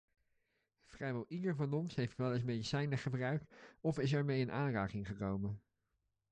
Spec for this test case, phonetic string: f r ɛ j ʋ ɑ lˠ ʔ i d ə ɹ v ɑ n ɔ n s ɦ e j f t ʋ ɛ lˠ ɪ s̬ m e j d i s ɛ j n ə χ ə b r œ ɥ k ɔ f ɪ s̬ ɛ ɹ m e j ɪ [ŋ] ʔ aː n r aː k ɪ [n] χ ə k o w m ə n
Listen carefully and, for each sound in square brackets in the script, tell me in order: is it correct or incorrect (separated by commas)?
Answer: incorrect, incorrect